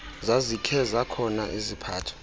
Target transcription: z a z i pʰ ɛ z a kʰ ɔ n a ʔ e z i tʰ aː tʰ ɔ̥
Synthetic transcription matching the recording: z a z i kʰ ɛ z a kʰ ɔ n a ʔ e z i pʰ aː tʰ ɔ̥